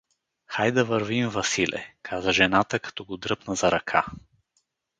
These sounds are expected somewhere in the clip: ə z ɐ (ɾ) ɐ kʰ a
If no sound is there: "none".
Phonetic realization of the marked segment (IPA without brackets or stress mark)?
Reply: ɾ